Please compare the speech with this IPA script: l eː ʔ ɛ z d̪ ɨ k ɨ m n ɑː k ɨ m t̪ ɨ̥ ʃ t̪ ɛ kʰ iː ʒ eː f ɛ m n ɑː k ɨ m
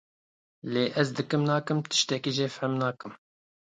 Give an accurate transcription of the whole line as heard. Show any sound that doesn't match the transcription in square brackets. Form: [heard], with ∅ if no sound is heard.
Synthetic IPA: l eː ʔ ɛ z d̪ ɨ k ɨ m n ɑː k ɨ m t̪ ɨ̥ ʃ t̪ ɛ [k] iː ʒ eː f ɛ m n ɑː k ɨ m